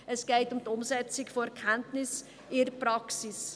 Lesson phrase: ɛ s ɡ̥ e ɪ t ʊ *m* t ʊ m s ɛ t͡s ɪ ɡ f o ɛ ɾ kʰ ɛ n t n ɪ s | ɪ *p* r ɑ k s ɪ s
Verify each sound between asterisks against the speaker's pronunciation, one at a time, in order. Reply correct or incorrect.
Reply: correct, correct

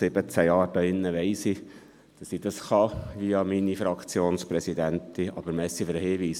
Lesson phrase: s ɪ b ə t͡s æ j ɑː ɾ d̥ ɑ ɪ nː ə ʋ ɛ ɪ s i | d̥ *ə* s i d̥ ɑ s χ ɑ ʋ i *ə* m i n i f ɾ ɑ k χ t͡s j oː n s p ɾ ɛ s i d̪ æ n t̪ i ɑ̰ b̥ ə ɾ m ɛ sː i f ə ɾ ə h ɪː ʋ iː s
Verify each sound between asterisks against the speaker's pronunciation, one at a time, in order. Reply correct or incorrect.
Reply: incorrect: ɑ, incorrect: ɑ

